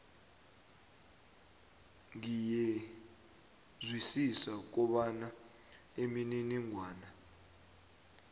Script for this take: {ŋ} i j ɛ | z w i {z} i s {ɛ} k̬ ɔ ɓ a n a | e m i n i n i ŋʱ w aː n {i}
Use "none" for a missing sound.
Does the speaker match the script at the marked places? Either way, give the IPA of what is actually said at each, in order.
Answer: ŋ, s, a, a

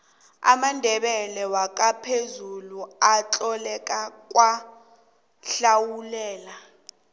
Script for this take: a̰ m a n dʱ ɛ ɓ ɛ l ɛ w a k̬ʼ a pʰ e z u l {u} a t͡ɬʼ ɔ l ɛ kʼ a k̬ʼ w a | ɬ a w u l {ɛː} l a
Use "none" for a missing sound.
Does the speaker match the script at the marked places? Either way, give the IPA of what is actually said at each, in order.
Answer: u, ɛː

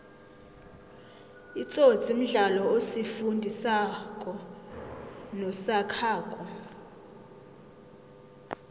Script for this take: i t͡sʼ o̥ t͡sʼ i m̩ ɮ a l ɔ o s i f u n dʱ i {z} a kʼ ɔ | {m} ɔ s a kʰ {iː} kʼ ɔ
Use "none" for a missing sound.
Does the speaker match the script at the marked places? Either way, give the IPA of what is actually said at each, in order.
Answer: s, n, aː

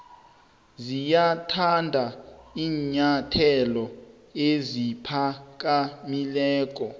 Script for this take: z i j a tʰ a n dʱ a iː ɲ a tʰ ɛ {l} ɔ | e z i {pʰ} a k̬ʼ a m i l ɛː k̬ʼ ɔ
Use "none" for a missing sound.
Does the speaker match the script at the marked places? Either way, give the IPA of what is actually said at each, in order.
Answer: l, pʰ

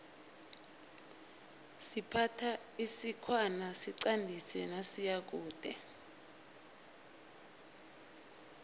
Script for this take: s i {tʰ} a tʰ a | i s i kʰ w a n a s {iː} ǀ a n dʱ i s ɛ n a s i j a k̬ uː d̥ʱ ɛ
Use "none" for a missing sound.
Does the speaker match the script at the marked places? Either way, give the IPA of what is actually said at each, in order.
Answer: pʰ, i

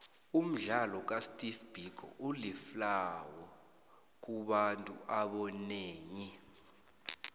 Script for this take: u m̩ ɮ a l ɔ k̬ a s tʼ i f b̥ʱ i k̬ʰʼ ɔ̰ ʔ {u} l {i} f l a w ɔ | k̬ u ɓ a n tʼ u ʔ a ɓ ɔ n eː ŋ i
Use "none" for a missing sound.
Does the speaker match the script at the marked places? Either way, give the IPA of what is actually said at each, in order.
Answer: u, i

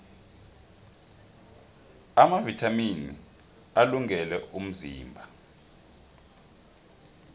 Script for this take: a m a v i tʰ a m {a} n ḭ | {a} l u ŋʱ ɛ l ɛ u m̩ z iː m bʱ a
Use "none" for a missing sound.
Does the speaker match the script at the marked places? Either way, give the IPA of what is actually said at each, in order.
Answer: i, a

